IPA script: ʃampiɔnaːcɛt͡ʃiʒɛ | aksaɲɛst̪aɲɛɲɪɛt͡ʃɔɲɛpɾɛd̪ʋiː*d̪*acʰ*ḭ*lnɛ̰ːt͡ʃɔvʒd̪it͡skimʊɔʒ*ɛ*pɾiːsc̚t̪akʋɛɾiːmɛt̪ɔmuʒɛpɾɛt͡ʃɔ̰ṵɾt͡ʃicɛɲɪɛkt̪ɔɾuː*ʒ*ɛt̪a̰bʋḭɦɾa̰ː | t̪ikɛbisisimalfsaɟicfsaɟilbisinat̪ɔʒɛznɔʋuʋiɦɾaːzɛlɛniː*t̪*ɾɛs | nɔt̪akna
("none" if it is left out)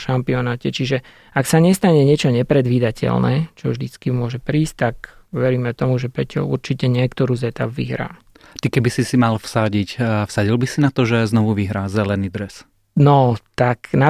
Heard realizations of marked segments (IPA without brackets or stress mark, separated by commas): d̪, ɛ̰, ɛ, z, d̪